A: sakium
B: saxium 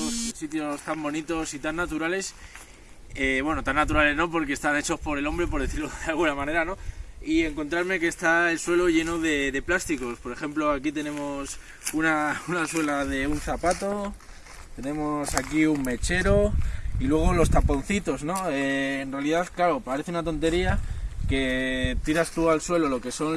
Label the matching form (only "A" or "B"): A